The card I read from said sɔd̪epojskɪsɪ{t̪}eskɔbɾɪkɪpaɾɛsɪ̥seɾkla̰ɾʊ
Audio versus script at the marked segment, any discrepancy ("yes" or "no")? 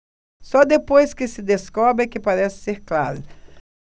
yes